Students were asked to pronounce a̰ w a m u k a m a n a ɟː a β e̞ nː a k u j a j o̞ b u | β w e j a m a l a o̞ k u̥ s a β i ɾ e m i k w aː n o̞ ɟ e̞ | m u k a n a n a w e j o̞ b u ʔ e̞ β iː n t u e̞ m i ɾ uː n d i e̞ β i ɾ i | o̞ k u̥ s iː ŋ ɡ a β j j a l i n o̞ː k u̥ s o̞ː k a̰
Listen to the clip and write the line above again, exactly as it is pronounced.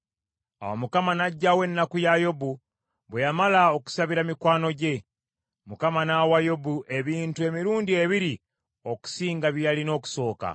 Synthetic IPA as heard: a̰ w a m u k a m a n a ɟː a w e̞ nː a k u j a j o̞ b u | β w e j a m a l a o̞ k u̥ s a β i ɾ a m i k w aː n o̞ ɟ e̞ | m u k a m a n a w a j o̞ b u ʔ e̞ β iː n t u e̞ m i ɾ uː n d i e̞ β i ɾ i | o̞ k u̥ s iː ŋ ɡ a β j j a l i n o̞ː k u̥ s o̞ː k a̰